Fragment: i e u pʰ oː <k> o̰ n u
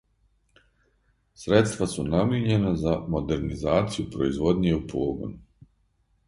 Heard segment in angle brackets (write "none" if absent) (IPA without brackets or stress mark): ɡ